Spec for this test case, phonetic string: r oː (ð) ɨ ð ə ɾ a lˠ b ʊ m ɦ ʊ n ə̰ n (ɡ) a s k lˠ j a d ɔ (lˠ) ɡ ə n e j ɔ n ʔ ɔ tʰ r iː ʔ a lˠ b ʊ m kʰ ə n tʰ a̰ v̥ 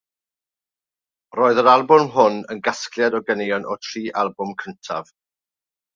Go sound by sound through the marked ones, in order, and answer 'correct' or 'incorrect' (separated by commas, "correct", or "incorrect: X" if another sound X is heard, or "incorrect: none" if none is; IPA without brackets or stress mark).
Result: incorrect: none, correct, incorrect: none